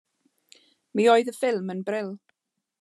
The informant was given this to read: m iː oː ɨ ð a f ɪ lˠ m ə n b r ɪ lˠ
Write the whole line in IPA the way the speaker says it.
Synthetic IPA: m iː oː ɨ ð ə f ɪ lˠ m ə n b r ɪ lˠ